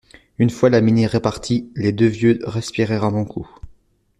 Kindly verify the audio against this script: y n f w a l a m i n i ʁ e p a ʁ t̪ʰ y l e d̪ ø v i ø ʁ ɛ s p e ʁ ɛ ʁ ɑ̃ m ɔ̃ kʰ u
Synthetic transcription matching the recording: y n f w a l a m i n i ʁ e p a ʁ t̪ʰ i l e d̪ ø v j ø ʁ ɛ s p i ʁ ɛ ʁ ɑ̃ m ɔ̃ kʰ u